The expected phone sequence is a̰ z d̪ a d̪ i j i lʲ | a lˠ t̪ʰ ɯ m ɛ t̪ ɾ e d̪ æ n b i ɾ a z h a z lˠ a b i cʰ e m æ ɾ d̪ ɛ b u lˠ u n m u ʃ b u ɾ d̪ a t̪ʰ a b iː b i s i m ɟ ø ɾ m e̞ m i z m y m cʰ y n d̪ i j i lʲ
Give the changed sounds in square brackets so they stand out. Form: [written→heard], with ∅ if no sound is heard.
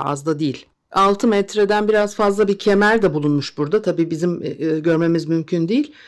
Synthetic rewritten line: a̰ z d̪ a d̪ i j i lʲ | a lˠ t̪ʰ ɯ m ɛ t̪ ɾ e d̪ æ n b i ɾ a z [h→f] a z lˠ a b i cʰ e m æ ɾ d̪ ɛ b u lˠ u n m u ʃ b u ɾ d̪ a t̪ʰ a b iː b i [s→z] i m ɟ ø ɾ m e̞ m i z m y m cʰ y n d̪ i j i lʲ